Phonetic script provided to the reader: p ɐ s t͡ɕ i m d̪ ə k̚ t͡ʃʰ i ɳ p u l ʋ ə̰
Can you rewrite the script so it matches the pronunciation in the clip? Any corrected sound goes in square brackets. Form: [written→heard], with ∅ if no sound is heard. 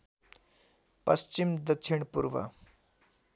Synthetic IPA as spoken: p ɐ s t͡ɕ i m d̪ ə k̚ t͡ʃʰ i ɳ p u [l→ɾ] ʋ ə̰